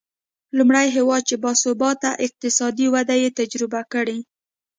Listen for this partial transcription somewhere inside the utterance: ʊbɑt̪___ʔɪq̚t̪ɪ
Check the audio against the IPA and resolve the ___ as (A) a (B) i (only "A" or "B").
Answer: A